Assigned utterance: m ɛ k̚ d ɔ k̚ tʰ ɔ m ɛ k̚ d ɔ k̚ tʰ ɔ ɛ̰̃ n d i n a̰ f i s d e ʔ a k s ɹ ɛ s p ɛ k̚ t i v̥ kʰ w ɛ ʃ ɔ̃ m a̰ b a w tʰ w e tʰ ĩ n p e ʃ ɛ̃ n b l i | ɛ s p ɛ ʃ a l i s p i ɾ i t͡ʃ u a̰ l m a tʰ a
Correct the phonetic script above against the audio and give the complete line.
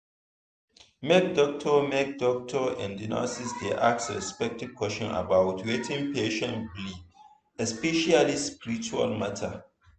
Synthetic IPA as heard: m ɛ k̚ d ɔ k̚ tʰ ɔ m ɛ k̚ d ɔ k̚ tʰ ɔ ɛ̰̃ n d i n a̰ s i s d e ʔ a k s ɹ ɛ s p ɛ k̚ t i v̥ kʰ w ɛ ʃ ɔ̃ n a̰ b a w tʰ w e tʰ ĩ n p e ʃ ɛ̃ n b l i | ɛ s p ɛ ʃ a l i s p i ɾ i t͡ʃ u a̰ l m a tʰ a